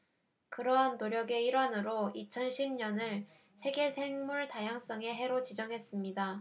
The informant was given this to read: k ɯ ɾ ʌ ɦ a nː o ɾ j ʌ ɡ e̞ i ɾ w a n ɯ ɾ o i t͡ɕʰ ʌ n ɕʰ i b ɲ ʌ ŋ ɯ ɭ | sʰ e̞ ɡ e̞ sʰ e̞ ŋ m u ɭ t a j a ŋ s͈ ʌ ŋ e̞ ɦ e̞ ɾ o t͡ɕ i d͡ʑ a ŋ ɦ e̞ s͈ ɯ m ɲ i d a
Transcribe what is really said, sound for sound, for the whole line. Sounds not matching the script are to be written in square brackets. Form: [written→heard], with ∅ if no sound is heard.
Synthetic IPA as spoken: k ɯ ɾ ʌ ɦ a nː o ɾ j ʌ ɡ e̞ i ɾ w a n ɯ ɾ o i t͡ɕʰ ʌ n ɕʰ i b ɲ ʌ [ŋ→n] ɯ ɭ | sʰ e̞ ɡ e̞ sʰ e̞ ŋ m u ɭ t a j a ŋ s͈ ʌ ŋ e̞ ɦ e̞ ɾ o t͡ɕ i d͡ʑ [a→ʌ] ŋ ɦ e̞ s͈ ɯ m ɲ i d a